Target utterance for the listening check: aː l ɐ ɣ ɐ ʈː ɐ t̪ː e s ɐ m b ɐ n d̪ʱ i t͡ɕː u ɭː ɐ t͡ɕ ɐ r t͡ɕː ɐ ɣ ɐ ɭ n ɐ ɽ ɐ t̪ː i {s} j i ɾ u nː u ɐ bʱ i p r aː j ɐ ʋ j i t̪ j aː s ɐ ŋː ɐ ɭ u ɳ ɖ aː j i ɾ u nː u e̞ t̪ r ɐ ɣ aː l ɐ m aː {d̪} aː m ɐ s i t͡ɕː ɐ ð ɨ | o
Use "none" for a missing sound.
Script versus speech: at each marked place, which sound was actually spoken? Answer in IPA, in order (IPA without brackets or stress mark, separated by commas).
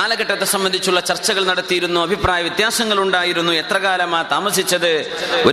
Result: none, t̪